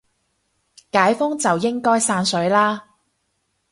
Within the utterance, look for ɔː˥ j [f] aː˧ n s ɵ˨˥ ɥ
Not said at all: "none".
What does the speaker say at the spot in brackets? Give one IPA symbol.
s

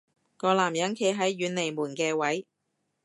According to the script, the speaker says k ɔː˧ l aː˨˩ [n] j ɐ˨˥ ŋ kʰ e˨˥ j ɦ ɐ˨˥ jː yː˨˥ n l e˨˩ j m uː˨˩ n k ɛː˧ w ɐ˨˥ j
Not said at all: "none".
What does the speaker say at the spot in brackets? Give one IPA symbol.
m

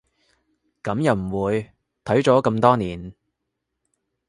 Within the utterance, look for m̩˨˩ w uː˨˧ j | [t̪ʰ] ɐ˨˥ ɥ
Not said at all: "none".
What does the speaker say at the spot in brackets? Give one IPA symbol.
t̪ʰ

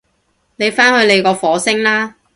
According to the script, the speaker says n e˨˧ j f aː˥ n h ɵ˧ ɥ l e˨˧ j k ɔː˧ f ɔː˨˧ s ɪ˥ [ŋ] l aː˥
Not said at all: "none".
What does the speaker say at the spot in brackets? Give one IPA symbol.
ŋ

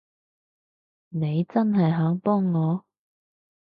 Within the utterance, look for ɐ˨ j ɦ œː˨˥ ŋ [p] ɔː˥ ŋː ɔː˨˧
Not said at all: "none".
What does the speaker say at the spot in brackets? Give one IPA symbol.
p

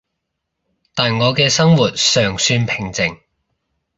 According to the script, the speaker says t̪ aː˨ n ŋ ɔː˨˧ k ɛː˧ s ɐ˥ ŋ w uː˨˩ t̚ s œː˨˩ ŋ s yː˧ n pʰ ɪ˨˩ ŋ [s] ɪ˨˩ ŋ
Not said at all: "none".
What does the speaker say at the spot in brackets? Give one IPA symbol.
t͡s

